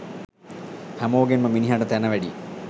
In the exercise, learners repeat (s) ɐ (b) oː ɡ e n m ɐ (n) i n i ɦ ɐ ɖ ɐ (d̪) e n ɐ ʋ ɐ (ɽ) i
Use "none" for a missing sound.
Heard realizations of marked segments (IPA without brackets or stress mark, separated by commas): h, m, m, t̪, ɽ